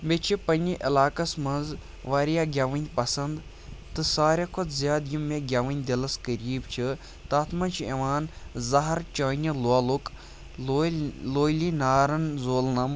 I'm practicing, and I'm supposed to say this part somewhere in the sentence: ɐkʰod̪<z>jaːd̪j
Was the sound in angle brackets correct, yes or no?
yes